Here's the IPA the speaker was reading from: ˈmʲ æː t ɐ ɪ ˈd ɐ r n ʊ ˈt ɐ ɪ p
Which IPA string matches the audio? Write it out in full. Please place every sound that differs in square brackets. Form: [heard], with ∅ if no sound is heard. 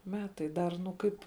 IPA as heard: ˈmʲ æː t ɐ ɪ ˈd ɐ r n ʊ [ˈk] ɐ ɪ p